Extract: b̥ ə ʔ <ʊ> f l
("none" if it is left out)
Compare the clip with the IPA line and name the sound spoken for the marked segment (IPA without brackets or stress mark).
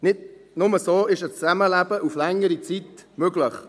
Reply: u